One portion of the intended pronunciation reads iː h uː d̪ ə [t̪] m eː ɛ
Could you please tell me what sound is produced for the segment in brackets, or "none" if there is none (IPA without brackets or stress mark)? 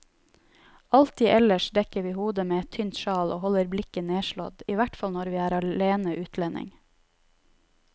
none